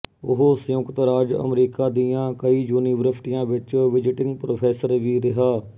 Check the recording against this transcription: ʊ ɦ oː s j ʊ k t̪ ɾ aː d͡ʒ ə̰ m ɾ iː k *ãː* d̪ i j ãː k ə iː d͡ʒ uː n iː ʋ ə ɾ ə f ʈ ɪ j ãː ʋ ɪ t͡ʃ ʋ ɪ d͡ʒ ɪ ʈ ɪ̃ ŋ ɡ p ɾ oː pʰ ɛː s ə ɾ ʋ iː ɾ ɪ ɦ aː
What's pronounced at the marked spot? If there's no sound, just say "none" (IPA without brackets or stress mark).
aː